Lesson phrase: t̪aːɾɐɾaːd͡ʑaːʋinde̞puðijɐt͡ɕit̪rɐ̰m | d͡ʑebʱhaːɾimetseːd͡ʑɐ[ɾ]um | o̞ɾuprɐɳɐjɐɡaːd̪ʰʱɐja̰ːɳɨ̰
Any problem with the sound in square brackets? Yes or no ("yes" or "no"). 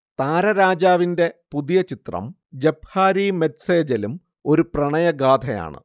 yes